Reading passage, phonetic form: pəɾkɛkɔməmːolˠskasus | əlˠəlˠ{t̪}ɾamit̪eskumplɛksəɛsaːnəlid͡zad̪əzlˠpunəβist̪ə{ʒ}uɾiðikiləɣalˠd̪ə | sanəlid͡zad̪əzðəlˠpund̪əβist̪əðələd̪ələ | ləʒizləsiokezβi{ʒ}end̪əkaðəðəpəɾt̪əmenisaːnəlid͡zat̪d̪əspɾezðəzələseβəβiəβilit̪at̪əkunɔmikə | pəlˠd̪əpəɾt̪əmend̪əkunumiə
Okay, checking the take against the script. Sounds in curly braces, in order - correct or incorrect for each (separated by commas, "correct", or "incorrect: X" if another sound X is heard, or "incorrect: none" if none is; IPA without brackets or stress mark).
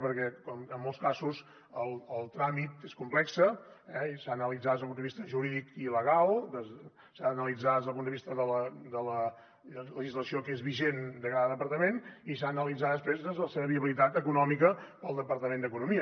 correct, correct, correct